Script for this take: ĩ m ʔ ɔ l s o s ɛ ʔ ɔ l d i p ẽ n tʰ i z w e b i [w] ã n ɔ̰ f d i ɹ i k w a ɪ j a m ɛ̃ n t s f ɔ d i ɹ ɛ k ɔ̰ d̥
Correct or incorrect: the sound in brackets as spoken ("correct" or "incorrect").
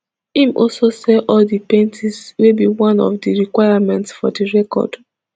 correct